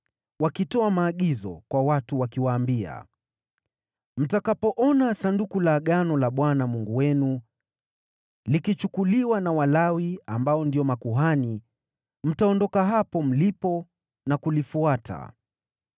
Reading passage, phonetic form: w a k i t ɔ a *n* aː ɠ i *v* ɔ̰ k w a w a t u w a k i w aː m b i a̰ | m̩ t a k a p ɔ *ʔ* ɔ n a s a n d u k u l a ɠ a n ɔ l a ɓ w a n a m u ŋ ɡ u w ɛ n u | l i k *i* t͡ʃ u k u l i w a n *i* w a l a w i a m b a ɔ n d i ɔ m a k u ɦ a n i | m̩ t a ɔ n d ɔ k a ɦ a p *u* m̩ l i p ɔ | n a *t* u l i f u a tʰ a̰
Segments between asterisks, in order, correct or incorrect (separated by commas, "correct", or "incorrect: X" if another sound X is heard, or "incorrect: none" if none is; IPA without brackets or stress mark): incorrect: m, incorrect: z, correct, correct, incorrect: a, incorrect: ɔ, incorrect: k